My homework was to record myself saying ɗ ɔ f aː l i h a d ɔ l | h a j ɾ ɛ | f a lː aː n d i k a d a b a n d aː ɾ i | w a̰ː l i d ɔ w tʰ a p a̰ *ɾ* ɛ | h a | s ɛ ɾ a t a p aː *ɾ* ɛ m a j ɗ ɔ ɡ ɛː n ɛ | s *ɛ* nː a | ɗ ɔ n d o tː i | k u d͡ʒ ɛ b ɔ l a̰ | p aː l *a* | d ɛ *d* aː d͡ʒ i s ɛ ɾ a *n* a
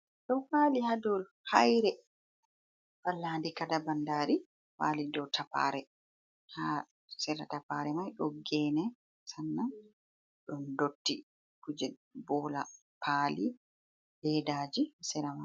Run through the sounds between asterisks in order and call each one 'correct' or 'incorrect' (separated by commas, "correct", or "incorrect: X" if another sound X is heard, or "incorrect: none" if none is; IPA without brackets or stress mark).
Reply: correct, correct, incorrect: a, incorrect: i, correct, incorrect: m